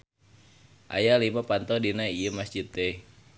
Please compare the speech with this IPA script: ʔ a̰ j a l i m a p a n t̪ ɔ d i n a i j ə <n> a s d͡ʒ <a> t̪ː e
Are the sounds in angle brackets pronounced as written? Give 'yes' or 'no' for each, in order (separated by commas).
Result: no, no